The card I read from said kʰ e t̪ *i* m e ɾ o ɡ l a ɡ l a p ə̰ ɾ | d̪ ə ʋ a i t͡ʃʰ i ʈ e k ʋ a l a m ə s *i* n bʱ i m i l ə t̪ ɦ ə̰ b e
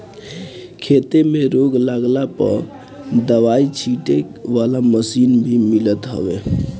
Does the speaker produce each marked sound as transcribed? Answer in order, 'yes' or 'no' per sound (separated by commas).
no, yes